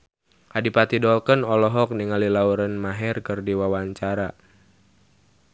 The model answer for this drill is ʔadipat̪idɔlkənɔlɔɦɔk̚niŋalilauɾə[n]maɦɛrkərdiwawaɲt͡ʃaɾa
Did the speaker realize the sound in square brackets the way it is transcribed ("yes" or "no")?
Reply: yes